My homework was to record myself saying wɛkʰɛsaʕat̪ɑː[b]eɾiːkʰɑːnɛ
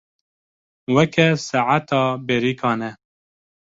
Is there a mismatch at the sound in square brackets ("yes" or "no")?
no